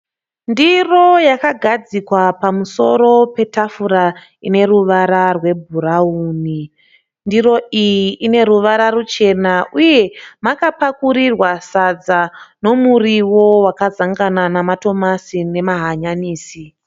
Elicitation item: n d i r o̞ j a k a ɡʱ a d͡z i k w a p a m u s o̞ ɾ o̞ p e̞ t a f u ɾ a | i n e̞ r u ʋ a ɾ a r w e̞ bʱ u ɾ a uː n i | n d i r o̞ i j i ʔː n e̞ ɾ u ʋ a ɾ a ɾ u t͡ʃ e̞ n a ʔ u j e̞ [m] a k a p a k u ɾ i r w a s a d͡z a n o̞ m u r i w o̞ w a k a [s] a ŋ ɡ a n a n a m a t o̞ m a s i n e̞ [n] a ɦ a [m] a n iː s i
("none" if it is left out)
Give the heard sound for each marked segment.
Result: m, z, m, ɲ

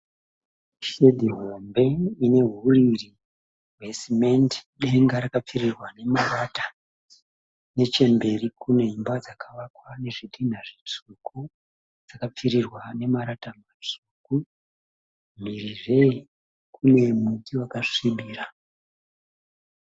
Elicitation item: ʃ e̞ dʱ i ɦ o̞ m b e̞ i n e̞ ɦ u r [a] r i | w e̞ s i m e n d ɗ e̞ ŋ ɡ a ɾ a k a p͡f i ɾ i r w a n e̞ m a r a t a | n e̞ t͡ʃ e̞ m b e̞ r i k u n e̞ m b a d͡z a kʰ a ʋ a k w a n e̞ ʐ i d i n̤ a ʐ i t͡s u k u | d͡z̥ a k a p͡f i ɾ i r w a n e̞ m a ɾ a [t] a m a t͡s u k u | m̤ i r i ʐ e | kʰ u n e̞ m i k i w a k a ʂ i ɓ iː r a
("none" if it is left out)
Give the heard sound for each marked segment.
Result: i, t

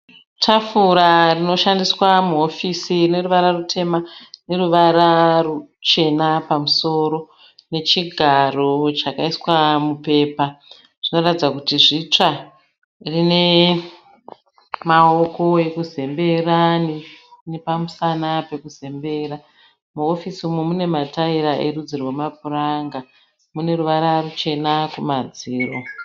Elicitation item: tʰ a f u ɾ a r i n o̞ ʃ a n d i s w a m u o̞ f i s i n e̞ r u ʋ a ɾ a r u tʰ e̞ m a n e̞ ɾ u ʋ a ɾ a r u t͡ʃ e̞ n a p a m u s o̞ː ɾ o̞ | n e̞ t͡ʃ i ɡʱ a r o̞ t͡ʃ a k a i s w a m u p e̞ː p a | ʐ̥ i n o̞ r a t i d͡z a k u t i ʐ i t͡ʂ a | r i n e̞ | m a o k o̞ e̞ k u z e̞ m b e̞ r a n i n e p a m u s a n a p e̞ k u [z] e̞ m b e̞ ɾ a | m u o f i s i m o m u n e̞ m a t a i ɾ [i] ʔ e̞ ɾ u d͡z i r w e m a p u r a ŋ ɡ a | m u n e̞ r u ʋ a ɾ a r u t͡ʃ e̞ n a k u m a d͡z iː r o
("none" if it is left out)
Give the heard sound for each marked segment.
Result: z, a

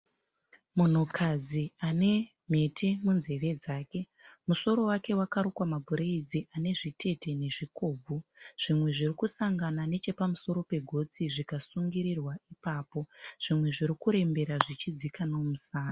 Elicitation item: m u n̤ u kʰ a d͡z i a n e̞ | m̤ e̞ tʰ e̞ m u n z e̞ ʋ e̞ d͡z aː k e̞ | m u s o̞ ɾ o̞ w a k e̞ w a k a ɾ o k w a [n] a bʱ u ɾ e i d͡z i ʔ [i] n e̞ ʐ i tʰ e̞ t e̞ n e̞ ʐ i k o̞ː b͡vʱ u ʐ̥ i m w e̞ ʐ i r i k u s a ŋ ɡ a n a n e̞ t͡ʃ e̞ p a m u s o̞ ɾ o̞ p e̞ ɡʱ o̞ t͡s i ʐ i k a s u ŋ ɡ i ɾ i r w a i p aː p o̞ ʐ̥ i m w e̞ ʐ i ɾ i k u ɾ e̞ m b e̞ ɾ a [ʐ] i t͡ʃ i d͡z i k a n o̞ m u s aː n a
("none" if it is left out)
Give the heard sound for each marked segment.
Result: m, a, ʐ

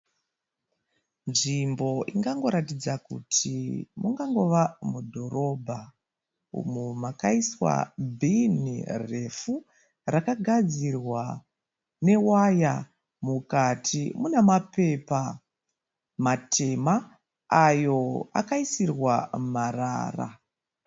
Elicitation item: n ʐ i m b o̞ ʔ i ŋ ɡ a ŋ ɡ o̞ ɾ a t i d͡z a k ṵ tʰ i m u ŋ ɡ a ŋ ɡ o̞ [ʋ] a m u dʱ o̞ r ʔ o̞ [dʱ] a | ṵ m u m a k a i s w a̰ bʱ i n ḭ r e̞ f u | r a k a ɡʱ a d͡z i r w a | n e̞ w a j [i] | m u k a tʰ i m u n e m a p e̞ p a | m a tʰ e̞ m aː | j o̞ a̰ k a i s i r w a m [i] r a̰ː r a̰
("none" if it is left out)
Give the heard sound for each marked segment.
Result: ʋ, bʱ, a, a

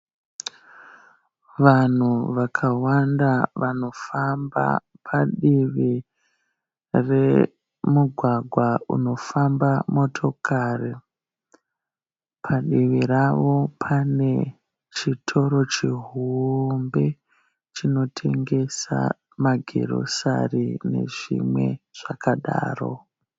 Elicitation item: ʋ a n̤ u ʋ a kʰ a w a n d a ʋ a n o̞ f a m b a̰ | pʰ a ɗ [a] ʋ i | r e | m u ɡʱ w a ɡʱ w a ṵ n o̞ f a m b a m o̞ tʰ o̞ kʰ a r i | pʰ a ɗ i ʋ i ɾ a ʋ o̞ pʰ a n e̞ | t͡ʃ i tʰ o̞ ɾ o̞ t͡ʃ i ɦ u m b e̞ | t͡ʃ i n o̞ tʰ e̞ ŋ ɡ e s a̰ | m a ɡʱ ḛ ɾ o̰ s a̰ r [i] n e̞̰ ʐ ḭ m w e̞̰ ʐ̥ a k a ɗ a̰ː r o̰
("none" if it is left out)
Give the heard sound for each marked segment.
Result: i, i

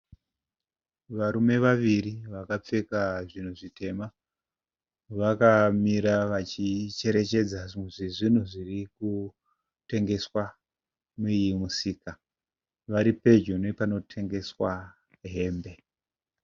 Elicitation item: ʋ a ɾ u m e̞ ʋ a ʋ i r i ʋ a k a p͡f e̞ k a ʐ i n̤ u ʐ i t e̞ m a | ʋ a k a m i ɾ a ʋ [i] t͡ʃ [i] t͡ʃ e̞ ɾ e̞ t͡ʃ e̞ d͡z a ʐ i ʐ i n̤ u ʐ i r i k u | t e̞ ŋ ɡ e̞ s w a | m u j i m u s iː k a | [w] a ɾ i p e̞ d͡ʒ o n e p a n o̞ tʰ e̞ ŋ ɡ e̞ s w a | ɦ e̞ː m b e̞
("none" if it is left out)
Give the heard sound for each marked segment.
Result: a, i, ʋ

